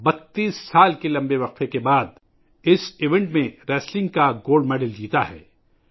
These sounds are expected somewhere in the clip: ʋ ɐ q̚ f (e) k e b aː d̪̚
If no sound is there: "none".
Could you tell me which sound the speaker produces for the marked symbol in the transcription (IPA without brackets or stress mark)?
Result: e